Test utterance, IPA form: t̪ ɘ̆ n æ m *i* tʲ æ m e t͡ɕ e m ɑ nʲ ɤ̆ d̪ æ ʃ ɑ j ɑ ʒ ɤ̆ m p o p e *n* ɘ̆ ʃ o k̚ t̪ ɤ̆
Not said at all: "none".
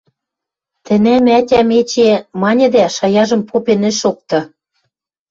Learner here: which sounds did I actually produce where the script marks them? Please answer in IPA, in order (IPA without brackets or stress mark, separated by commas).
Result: æ, n